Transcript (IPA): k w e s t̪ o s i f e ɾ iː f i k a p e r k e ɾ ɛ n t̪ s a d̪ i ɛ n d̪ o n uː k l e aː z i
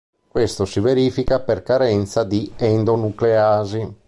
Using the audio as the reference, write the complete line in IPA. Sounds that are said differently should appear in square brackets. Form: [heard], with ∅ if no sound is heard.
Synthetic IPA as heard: k w e s t̪ o s i [v] e ɾ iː f i k a p e r k [a] ɾ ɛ n t̪ s a d̪ i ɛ n d̪ o n [u] k l e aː z i